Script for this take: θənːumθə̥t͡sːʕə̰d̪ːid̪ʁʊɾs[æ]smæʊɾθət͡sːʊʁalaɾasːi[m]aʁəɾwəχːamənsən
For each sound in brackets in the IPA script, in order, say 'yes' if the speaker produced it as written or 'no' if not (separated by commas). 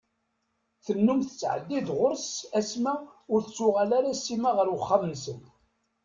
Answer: yes, yes